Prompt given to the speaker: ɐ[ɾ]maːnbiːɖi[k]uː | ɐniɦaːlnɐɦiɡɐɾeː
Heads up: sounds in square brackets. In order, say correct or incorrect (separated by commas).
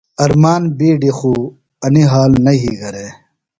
correct, incorrect